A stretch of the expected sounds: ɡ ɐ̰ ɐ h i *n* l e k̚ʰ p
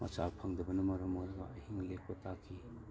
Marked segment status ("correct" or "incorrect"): incorrect